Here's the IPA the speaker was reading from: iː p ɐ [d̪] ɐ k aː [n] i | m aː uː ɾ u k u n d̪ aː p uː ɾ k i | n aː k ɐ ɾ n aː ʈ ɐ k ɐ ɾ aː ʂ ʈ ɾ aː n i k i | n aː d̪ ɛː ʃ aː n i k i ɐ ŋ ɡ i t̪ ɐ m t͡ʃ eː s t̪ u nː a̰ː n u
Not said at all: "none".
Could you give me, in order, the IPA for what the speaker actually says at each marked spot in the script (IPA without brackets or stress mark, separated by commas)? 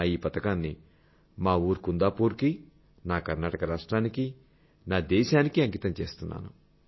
t̪, nː